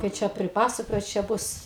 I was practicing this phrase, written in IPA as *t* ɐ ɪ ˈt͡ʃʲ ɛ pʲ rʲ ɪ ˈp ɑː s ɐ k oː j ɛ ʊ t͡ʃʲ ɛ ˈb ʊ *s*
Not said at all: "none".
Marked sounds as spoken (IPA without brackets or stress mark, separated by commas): k, s